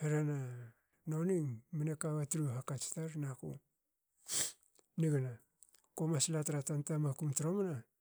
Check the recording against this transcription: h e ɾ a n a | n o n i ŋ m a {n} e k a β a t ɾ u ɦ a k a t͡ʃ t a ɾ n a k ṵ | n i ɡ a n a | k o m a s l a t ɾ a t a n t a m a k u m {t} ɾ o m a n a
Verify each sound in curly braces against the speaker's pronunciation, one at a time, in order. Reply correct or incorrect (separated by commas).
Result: correct, correct